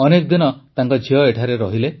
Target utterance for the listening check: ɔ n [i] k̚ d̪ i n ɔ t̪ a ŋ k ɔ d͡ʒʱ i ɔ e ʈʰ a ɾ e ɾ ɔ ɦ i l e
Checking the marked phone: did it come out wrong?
yes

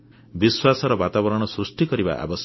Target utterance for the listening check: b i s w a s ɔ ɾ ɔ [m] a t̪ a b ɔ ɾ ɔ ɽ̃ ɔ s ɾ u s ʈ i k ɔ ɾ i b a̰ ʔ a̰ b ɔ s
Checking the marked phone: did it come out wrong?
yes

